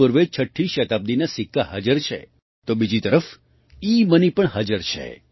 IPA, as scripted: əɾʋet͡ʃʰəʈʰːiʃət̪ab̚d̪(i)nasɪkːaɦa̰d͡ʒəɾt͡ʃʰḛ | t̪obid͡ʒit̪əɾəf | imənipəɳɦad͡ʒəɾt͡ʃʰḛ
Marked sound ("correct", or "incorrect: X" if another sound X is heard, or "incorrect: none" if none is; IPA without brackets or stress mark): correct